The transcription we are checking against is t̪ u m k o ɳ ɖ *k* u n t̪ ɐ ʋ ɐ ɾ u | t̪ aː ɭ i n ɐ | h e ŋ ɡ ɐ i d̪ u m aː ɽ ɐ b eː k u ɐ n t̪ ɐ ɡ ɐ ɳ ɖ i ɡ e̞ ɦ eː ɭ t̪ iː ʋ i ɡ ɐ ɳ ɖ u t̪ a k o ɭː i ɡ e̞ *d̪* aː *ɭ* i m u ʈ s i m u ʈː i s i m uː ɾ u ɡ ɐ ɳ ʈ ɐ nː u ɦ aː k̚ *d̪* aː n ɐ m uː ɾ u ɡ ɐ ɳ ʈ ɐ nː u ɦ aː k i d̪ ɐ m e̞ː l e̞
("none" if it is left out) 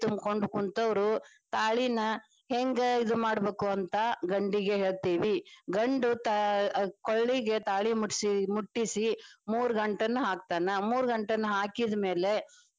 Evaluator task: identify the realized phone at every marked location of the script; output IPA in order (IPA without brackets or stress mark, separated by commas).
k, t̪, ɭ, t̪